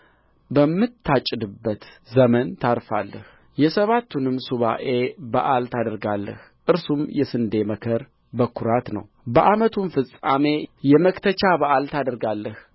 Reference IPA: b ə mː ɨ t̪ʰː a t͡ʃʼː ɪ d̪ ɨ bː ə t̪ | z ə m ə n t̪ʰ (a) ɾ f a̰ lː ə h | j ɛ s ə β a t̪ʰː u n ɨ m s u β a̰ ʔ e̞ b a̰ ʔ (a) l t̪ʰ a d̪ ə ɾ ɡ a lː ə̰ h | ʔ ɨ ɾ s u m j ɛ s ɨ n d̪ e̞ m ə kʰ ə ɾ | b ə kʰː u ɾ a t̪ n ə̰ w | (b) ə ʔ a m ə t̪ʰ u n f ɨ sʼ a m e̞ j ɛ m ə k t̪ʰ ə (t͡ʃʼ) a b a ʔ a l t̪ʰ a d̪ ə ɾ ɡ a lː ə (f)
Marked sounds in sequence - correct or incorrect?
correct, correct, correct, incorrect: t͡ʃ, incorrect: h

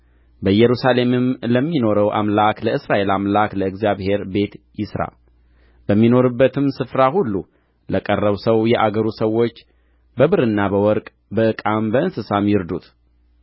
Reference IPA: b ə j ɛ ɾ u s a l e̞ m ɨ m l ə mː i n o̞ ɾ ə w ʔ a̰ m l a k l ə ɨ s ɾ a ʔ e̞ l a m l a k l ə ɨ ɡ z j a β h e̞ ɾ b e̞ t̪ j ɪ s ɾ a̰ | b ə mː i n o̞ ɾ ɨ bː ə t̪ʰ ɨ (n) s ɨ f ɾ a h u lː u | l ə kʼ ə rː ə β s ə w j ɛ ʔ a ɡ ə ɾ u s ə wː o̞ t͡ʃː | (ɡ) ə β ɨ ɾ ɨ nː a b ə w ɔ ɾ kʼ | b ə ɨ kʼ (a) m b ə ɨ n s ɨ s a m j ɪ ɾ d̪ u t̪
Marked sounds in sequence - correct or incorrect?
incorrect: m, incorrect: b, correct

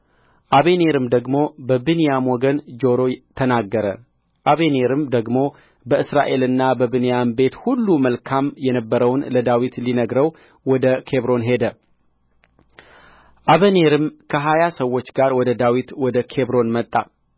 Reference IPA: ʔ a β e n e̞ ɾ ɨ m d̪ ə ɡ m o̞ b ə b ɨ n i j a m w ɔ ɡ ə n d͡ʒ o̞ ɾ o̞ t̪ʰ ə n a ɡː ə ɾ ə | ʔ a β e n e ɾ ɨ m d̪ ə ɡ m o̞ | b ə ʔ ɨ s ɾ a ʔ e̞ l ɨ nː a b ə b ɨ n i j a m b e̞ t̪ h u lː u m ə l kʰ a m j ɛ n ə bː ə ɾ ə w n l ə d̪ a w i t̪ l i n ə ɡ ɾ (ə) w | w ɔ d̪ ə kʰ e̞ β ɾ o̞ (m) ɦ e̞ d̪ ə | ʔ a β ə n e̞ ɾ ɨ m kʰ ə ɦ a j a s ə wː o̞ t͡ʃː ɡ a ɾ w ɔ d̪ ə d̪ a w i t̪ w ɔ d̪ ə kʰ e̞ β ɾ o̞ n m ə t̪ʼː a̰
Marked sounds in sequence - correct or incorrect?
correct, incorrect: n

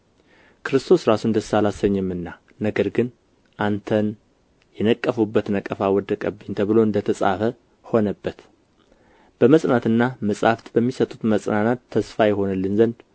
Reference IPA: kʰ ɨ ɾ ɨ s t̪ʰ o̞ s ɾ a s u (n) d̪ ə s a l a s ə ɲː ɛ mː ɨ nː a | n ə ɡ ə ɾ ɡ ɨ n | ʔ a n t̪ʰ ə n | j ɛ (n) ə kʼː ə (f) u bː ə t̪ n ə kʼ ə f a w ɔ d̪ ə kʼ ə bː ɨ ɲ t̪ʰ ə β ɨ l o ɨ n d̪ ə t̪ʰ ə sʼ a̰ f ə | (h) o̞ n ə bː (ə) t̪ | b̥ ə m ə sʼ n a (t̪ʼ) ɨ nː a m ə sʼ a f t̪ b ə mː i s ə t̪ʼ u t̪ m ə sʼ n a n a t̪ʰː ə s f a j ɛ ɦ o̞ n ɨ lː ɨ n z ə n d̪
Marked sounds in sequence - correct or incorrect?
correct, correct, correct, correct, correct, incorrect: t̪

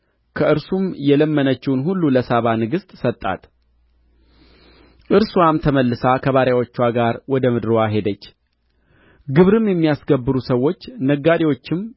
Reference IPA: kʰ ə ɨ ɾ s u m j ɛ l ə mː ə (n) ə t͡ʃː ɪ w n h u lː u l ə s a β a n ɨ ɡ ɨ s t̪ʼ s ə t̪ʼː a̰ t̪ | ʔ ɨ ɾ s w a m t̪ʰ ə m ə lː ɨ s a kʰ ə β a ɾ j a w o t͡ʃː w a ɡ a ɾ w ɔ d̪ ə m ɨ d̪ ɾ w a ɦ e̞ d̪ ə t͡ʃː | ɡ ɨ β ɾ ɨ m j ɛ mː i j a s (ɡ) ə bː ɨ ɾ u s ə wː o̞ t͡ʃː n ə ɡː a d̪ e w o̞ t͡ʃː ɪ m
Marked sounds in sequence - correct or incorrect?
correct, correct

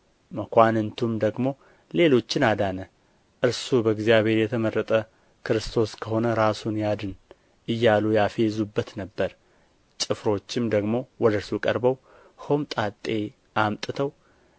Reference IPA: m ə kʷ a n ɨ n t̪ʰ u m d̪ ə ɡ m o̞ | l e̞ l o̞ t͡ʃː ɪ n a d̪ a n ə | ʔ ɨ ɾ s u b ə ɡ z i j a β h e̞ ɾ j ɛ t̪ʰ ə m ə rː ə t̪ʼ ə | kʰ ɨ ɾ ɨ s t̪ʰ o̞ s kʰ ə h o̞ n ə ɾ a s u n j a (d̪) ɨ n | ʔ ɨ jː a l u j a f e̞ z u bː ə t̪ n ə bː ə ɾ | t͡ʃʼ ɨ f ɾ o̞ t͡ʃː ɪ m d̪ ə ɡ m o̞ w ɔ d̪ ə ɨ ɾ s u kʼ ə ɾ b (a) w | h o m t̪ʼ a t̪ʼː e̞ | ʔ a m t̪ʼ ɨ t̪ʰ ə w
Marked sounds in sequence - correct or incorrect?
correct, incorrect: ə

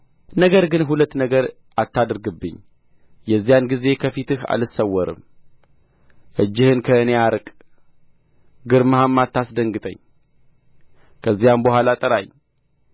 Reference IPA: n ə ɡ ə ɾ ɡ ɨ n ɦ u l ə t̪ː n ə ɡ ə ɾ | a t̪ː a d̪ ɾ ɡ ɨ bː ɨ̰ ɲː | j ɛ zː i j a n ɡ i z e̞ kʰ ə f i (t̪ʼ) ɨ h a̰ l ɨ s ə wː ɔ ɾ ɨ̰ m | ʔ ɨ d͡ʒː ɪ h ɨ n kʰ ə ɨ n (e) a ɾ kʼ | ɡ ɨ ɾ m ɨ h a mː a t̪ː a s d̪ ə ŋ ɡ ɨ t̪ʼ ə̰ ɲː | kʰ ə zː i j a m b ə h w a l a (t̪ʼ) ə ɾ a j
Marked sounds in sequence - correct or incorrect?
incorrect: t̪, correct, correct

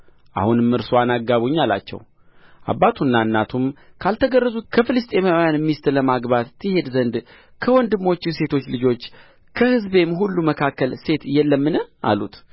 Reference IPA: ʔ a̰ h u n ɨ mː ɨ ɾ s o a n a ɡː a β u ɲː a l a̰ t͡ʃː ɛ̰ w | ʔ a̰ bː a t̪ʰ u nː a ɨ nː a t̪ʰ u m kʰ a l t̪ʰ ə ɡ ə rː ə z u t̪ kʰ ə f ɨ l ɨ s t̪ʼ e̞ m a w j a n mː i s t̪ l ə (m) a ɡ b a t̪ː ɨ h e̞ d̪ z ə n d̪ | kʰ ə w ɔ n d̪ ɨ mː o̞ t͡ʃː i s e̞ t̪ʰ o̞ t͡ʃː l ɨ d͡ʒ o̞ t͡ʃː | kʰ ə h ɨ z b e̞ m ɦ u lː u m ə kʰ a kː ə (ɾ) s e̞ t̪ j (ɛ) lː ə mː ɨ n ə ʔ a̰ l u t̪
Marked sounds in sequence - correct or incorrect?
correct, incorrect: l, correct

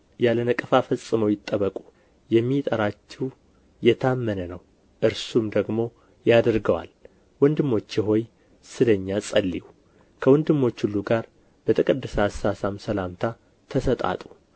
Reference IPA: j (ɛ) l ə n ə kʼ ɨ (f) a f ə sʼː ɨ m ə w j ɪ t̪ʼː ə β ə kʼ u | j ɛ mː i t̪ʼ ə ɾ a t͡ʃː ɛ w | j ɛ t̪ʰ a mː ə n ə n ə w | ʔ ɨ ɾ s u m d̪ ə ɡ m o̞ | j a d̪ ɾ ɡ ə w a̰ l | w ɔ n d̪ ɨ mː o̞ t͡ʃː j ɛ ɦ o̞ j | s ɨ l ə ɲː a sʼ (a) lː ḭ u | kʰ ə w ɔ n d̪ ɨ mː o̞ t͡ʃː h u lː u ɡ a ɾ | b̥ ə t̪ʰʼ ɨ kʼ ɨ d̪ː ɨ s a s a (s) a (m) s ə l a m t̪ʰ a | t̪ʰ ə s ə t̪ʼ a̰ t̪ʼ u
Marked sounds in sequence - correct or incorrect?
incorrect: a, correct, incorrect: ə, correct, correct

